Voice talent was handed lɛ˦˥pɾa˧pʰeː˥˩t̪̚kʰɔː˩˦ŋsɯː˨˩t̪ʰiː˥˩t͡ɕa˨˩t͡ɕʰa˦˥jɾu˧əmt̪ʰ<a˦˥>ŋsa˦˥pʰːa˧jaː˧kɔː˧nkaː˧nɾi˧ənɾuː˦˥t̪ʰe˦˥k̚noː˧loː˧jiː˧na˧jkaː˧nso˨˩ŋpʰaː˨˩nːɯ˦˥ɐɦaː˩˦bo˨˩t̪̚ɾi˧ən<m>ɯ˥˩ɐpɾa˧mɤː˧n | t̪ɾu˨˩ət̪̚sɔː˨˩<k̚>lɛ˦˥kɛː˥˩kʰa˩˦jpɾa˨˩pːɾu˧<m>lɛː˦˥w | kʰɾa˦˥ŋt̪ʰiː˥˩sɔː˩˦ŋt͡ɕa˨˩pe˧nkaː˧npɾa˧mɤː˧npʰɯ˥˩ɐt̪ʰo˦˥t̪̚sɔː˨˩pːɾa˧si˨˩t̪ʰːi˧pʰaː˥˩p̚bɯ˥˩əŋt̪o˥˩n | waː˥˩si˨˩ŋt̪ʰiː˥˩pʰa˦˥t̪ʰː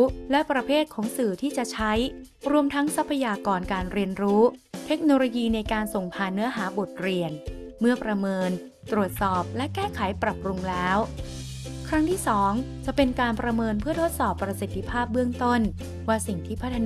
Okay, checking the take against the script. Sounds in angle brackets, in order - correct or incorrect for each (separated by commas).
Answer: correct, correct, incorrect, incorrect